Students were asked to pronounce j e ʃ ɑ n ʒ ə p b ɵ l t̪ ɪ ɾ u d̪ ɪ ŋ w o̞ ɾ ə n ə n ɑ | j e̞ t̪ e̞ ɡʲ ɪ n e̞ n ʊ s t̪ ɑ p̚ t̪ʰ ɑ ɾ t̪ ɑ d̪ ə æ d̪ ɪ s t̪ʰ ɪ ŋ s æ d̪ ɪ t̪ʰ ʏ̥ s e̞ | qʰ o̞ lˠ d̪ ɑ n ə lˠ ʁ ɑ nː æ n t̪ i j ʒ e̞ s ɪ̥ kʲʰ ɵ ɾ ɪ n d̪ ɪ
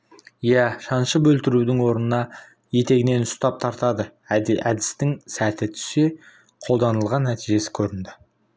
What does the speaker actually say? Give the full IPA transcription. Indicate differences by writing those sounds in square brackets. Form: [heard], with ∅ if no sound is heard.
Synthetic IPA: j [æ] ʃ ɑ n [ʃ] ə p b ɵ l t̪ ɪ ɾ u d̪ ɪ ŋ w o̞ ɾ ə n ə n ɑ | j e̞ t̪ e̞ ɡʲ ɪ n e̞ n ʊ s t̪ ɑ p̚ t̪ʰ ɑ ɾ t̪ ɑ d̪ ə æ d̪ ɪ s [t̪] ɪ ŋ s æ [t̪] ɪ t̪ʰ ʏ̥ s e̞ | qʰ o̞ lˠ d̪ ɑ n ə lˠ ʁ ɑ nː æ [∅] t̪ i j ʒ e̞ s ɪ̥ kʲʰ ɵ ɾ ɪ n d̪ ɪ

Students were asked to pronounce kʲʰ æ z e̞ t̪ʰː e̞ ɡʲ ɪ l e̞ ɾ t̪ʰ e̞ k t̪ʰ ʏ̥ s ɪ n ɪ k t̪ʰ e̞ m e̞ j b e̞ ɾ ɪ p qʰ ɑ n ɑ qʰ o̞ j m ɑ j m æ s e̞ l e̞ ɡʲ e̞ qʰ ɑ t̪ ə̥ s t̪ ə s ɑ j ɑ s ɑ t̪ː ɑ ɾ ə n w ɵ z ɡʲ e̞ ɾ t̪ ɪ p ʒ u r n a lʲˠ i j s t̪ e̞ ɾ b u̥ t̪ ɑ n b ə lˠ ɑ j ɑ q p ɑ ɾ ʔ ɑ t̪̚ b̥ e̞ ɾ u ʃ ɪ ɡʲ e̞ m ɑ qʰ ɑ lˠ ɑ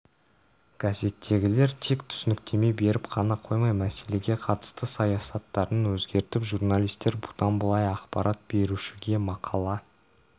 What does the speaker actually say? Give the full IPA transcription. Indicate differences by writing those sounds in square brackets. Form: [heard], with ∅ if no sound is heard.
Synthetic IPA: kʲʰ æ z e̞ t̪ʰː e̞ ɡʲ ɪ l e̞ ɾ t̪ʰ e̞ k t̪ʰ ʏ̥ s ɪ n ɪ k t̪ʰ e̞ m e̞ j b e̞ ɾ ɪ p qʰ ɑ n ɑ qʰ o̞ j m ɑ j m æ s e̞ l e̞ ɡʲ e̞ qʰ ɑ t̪ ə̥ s t̪ ə s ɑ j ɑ s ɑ t̪ː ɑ ɾ ə n w ɵ z ɡʲ e̞ ɾ t̪ ɪ p ʒ u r n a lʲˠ i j s t̪ e̞ ɾ b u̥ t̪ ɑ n b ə lˠ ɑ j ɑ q p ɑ ɾ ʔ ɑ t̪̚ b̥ e̞ ɾ u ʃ ɪ ɡʲ e̞ m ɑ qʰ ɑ lˠ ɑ

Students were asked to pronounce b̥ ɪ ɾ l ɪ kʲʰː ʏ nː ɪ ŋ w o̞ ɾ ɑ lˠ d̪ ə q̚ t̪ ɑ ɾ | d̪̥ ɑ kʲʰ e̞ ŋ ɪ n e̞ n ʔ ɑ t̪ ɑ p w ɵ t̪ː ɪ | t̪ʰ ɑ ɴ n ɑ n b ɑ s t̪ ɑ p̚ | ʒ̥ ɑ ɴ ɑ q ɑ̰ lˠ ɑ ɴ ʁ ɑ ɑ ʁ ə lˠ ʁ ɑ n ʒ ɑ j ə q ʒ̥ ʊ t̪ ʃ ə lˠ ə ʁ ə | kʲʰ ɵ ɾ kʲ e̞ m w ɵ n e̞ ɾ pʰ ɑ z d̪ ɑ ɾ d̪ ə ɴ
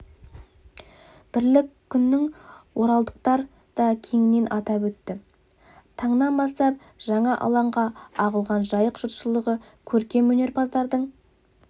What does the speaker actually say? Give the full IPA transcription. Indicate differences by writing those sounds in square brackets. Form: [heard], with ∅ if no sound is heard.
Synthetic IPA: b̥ ɪ ɾ l ɪ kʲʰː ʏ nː ɪ ŋ w o̞ ɾ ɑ lˠ d̪ ə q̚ t̪ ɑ ɾ | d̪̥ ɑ kʲʰ e̞ ŋ ɪ n e̞ n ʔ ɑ t̪ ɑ p w ɵ t̪ː ɪ | t̪ʰ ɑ ɴ n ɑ n b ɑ s t̪ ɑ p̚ | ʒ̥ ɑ ɴ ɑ [ʔ] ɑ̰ lˠ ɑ ɴ ʁ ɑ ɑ ʁ ə lˠ ʁ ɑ n ʒ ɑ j ə q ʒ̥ ʊ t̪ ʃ ə lˠ ə ʁ ə | kʲʰ ɵ ɾ kʲ e̞ m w ɵ n e̞ ɾ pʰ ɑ z d̪ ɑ ɾ d̪ ə ɴ

